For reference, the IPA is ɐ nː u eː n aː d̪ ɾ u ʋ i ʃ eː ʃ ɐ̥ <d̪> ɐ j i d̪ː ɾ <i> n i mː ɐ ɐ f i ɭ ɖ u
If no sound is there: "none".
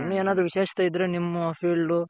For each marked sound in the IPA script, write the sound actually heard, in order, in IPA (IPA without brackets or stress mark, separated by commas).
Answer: t̪, e